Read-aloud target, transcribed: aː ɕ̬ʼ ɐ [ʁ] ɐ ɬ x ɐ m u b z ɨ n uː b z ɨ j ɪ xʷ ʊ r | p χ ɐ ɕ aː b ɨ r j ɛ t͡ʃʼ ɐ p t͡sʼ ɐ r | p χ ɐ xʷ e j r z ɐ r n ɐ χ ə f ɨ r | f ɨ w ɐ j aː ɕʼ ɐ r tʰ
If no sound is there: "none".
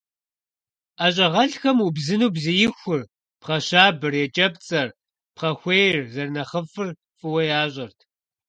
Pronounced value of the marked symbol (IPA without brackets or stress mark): ʁ